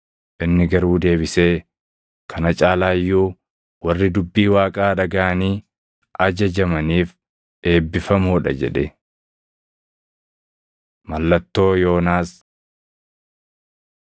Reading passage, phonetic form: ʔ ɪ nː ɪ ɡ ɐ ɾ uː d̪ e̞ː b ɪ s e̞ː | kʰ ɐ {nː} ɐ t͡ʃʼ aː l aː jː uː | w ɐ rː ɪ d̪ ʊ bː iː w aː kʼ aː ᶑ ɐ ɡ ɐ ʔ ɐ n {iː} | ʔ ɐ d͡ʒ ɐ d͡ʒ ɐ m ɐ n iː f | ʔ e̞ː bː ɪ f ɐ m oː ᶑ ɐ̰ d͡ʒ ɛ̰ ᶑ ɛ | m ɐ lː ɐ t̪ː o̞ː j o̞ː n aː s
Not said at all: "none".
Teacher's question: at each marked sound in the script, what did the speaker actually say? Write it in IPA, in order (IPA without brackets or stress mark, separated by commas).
n, iː